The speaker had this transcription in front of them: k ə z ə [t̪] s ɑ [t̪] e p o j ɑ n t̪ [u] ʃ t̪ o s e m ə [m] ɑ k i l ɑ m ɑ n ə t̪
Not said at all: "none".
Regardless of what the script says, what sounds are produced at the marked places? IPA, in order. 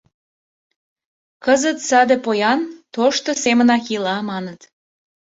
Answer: t̪, d̪, o, n

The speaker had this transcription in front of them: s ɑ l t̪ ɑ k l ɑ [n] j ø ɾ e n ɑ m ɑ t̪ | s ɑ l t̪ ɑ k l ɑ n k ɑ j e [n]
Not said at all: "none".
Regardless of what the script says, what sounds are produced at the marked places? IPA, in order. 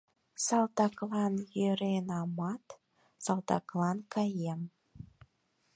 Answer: n, m

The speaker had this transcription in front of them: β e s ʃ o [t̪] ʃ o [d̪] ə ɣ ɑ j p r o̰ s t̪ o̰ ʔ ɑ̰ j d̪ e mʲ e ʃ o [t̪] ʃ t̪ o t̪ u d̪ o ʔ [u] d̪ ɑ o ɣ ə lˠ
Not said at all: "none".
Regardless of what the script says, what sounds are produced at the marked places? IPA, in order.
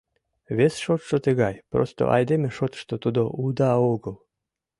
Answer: t̪, t̪, t̪, u

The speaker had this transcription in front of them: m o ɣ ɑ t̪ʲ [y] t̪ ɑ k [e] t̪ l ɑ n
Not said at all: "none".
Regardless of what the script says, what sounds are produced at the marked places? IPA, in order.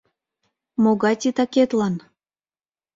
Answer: i, e

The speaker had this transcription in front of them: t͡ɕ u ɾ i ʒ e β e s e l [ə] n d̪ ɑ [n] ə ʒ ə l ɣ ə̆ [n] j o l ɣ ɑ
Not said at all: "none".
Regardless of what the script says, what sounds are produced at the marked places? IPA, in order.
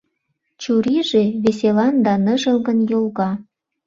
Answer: ɑ, n, n

